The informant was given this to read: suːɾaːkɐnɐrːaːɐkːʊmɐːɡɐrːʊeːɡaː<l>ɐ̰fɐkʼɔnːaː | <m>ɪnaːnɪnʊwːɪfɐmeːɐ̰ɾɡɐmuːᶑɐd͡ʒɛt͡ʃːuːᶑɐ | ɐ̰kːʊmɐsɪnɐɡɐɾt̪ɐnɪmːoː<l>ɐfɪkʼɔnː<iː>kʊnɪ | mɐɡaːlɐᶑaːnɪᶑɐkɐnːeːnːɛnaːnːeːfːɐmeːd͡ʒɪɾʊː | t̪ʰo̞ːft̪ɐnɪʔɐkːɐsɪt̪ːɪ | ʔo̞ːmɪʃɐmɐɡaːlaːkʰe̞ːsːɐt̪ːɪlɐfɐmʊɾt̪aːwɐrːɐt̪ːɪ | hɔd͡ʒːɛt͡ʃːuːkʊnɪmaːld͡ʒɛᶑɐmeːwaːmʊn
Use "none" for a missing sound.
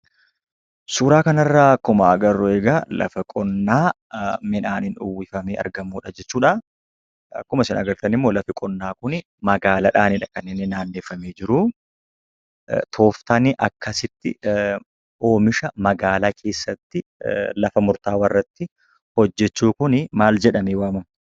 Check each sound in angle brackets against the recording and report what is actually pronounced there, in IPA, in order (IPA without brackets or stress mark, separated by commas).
l, m, l, aː